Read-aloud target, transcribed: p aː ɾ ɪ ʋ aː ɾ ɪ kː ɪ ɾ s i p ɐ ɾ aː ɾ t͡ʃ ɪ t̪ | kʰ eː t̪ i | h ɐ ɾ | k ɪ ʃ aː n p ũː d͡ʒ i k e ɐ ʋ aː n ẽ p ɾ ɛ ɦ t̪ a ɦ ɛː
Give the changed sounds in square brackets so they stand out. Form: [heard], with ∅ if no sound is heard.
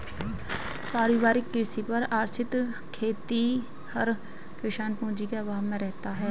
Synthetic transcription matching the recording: p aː ɾ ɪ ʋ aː ɾ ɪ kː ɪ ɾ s i p ɐ ɾ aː ɾ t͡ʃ ɪ t̪ | kʰ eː t̪ i | h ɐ ɾ | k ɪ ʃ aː n p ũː d͡ʒ i k e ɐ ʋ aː [m] ẽ [∅] ɾ ɛ ɦ t̪ a ɦ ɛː